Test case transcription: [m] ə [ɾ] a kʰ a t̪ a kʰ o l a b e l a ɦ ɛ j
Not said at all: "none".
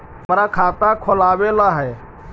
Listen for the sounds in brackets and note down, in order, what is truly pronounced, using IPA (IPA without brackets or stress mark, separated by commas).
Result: m, ɾ